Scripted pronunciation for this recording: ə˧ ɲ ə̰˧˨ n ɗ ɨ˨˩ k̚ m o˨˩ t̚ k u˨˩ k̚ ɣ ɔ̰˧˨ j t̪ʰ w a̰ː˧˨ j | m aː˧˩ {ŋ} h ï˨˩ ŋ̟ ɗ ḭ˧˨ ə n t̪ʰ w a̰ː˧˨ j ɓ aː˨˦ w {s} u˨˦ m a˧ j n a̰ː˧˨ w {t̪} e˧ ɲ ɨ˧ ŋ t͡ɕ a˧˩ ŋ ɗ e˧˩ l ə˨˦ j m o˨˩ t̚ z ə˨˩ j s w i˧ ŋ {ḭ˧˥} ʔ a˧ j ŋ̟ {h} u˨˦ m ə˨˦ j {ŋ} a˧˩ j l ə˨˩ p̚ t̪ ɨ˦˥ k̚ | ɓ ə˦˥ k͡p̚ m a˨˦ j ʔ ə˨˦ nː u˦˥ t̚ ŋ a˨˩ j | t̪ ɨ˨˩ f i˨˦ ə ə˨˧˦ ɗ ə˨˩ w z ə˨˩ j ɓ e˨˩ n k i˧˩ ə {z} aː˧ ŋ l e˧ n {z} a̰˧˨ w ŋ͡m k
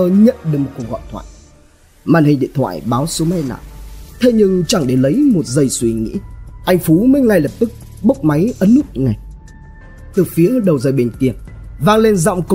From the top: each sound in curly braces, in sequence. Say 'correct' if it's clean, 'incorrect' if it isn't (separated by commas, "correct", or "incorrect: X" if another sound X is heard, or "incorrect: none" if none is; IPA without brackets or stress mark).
incorrect: n, correct, incorrect: t̪ʰ, correct, incorrect: f, correct, incorrect: v, correct